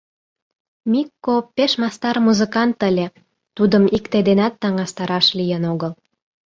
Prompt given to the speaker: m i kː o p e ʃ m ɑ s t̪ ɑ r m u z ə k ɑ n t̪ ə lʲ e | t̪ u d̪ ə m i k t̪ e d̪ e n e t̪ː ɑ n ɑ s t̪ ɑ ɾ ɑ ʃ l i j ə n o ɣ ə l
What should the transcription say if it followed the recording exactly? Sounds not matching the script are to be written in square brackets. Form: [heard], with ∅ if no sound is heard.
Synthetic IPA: m i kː o p e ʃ m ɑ s t̪ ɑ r m u z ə k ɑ n t̪ ə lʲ e | t̪ u d̪ ə m i k t̪ e d̪ e n [æ] t̪ː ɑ [ŋ] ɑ s t̪ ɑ ɾ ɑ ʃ l i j ə n o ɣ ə l